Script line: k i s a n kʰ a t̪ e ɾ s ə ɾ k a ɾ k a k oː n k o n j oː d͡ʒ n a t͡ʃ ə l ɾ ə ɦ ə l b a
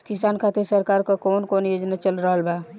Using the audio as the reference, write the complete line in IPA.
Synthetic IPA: k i s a n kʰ a t̪ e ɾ s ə ɾ k a ɾ k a k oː n k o n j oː d͡ʒ n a t͡ʃ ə l ɾ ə ɦ ə l b a

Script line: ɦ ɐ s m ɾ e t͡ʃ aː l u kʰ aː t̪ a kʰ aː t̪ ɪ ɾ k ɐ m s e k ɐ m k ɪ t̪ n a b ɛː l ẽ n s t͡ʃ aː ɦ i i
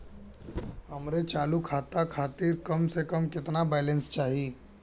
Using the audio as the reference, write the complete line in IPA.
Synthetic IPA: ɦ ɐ m ɾ e t͡ʃ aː l u kʰ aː t̪ a kʰ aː t̪ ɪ ɾ k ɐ m s e k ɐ m k ɪ t̪ n a b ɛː l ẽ n s t͡ʃ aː ɦ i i

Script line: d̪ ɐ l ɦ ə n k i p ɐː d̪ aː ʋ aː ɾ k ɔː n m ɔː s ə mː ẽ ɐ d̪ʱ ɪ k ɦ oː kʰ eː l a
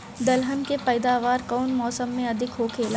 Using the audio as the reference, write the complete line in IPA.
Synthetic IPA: d̪ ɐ l ɦ ə n k e p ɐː d̪ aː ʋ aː ɾ k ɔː n m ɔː s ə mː ẽ ɐ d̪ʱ ɪ k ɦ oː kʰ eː l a

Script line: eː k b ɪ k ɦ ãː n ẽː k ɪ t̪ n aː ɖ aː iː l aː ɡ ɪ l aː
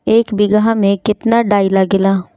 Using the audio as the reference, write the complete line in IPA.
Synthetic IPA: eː k b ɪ ɡ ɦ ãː m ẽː k ɪ t̪ n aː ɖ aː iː l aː ɡ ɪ l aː

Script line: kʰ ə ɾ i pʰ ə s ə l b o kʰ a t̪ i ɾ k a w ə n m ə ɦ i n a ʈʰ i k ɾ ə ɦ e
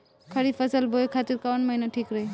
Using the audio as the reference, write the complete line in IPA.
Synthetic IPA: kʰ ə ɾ i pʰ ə s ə l b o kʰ a t̪ i ɾ k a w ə n m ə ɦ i n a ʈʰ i k ɾ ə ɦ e

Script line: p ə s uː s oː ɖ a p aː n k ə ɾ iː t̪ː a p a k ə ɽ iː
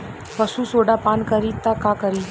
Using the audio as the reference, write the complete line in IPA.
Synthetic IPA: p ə s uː s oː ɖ a p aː n k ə ɾ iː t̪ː a k a k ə ɾ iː

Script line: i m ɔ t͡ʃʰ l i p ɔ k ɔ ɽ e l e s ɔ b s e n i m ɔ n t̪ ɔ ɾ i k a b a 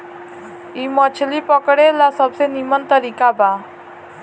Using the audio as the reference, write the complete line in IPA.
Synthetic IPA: i m ɔ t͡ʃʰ l i p ɔ k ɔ ɽ e l a s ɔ b s e n i m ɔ n t̪ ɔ ɾ i k a b a

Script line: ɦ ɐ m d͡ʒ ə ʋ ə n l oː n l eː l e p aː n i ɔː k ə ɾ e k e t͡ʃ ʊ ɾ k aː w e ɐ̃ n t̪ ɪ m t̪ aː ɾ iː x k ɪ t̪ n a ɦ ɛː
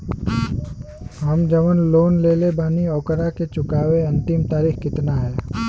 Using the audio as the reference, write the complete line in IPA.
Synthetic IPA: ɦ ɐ m d͡ʒ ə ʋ ə n l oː n l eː l e b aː n i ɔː k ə ɾ a k e t͡ʃ ʊ k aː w e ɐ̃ n t̪ ɪ m t̪ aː ɾ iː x k ɪ t̪ n a ɦ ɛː

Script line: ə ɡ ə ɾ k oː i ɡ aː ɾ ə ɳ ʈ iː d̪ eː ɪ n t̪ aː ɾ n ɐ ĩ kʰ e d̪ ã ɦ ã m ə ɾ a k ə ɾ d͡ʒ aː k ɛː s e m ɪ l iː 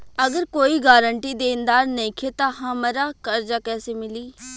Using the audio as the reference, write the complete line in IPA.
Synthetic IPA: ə ɡ ə ɾ k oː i ɡ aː ɾ ə ɳ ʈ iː d̪ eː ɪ n d̪ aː ɾ n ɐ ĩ kʰ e t̪ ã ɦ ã m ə ɾ a k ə ɾ d͡ʒ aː k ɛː s e m ɪ l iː

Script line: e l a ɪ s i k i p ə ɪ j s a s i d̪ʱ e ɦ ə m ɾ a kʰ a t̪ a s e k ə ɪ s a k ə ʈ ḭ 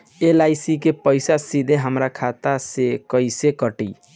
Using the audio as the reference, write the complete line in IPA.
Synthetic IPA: e l a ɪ s i k e p ə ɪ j s a s i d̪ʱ e ɦ ə m ɾ a kʰ a t̪ a s e k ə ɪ s e k ə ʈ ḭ

